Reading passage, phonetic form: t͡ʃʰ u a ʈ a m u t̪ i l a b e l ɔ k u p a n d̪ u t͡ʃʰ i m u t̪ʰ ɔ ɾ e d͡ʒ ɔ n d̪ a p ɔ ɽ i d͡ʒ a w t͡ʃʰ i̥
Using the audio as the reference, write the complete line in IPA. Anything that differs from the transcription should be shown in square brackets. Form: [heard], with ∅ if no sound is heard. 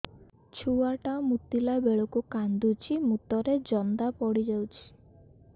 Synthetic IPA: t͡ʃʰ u a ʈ a m u t̪ i l a b e [ɭ] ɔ k u [k] a n d̪ u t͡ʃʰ i m u [t̪] ɔ ɾ e d͡ʒ ɔ n d̪ a p ɔ ɽ i d͡ʒ a w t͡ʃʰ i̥